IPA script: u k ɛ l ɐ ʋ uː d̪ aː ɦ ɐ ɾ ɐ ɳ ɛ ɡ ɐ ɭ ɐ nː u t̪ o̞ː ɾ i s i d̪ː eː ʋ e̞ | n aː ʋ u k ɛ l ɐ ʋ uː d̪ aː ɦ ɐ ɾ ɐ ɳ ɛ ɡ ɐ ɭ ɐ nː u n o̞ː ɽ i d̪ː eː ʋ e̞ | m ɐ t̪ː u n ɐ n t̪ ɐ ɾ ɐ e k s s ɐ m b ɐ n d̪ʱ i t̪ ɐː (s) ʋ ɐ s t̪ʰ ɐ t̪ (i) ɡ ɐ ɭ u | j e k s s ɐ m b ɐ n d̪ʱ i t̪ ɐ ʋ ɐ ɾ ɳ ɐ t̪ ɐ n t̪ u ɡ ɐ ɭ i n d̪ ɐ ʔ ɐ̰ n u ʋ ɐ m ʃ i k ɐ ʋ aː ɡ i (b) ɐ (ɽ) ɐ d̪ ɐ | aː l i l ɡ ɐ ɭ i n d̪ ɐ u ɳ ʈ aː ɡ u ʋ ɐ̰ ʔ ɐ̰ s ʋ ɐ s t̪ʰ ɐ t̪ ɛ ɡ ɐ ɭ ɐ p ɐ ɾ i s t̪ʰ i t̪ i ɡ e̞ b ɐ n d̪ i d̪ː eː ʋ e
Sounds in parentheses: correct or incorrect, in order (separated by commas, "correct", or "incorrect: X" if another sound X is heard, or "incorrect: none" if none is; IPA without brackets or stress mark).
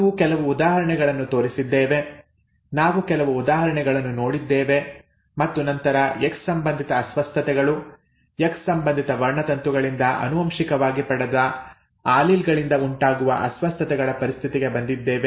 correct, incorrect: ɛ, incorrect: p, correct